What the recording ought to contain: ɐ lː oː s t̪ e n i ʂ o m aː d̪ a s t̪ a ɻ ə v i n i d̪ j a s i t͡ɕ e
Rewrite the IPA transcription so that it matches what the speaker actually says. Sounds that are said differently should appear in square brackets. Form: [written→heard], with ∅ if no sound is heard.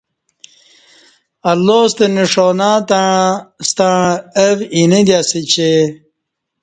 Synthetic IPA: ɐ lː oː s t̪ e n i ʂ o [m→n] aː [d̪→t̪] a s t̪ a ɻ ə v i n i d̪ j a s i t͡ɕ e